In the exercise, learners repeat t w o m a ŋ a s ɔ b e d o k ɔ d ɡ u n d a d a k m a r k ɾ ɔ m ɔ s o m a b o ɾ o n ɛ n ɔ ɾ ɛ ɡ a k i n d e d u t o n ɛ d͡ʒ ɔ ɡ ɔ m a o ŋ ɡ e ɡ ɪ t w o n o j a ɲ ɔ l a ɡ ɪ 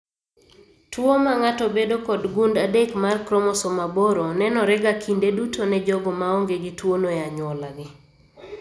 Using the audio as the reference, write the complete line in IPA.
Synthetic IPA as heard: t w o m a ŋ a t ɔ b e d o k ɔ d ɡ u n d a d e k m a r k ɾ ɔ m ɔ s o m a b o ɾ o n ɛ n ɔ ɾ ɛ ɡ a k i n d e d u t o n ɛ d͡ʒ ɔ ɡ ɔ m a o ŋ ɡ e ɡ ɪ t w o n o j a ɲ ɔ l a ɡ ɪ